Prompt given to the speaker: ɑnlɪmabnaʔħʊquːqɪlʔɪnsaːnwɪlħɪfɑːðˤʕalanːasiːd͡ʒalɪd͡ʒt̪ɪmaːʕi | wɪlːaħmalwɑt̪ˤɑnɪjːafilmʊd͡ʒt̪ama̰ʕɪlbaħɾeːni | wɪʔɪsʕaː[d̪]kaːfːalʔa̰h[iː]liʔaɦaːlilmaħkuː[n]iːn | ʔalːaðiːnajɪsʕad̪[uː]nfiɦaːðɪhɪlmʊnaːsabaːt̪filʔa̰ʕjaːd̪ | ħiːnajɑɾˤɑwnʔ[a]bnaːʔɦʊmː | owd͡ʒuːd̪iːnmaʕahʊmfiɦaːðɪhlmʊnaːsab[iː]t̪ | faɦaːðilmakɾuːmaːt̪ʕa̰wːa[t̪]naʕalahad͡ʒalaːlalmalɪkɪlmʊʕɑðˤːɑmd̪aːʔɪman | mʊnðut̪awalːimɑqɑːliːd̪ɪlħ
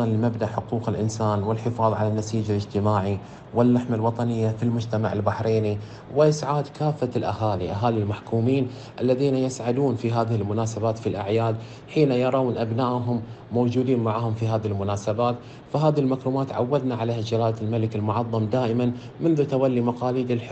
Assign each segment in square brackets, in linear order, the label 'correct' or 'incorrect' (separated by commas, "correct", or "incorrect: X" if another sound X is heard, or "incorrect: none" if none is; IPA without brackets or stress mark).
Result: correct, incorrect: aː, incorrect: m, correct, correct, incorrect: aː, incorrect: d̪